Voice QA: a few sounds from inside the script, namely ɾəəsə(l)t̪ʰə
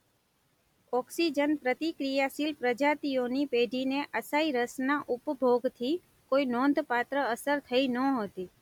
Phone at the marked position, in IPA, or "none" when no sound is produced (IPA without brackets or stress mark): ɾ